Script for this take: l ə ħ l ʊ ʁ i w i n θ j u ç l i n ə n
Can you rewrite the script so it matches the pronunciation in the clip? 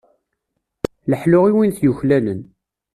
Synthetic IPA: l ə ħ l ʊ ʁ i w i n θ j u ç l æ n ə n